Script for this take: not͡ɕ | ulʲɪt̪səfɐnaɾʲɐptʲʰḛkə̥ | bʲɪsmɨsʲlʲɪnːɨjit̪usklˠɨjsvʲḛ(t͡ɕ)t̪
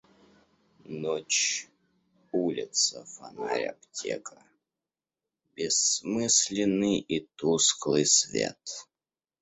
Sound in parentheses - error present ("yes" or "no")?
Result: yes